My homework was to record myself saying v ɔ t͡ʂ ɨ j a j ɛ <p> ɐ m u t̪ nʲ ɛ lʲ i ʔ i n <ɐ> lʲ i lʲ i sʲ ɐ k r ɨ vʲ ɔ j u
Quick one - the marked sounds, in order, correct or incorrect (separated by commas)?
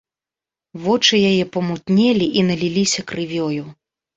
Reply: correct, correct